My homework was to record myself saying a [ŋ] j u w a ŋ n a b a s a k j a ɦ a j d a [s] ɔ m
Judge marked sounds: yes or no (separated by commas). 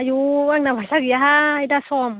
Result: no, yes